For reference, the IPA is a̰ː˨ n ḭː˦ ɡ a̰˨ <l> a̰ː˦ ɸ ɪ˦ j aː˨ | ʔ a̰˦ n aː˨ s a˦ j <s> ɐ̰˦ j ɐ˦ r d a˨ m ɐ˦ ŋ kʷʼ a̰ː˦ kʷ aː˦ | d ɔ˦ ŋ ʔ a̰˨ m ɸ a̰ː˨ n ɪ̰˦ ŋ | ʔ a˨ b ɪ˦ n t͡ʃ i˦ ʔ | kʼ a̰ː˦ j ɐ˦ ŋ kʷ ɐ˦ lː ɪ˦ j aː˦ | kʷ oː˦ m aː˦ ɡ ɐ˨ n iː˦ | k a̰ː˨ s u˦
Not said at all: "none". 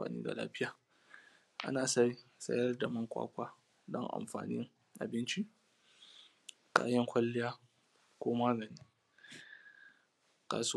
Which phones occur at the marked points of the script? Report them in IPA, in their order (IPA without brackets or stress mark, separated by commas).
l, s